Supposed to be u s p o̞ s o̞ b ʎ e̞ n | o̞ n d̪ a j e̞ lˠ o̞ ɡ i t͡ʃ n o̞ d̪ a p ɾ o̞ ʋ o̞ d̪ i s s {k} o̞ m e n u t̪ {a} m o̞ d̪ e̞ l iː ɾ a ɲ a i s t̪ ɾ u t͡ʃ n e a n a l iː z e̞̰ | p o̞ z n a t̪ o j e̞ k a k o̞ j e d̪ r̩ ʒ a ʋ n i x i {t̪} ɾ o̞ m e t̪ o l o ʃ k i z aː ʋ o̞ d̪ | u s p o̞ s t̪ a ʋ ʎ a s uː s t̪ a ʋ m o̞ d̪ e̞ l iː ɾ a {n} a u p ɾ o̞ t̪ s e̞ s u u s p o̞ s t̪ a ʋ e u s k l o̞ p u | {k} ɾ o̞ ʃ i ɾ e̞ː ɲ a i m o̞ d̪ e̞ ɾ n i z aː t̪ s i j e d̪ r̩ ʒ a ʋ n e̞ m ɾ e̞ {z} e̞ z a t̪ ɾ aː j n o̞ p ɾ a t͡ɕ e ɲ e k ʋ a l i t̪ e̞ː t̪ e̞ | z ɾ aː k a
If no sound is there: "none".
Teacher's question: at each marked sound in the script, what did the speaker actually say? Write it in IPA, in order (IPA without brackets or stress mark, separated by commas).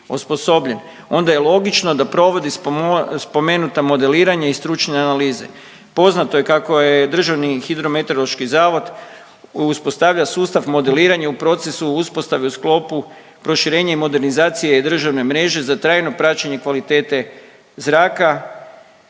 p, a, d̪, ɲ, p, ʒ